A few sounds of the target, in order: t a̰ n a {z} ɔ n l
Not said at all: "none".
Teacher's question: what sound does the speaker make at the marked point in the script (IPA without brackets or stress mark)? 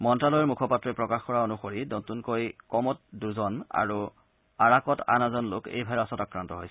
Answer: z